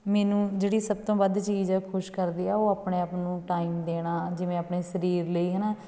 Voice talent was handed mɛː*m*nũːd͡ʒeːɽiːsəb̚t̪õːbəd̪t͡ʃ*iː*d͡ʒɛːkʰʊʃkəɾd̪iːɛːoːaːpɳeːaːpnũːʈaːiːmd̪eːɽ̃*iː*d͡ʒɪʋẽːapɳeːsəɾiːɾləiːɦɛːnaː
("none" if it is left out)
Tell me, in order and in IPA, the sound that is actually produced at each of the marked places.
none, iː, aː

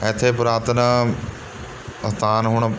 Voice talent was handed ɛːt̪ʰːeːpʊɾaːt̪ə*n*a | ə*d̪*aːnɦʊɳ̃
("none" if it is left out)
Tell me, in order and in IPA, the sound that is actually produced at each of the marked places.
n, t̪

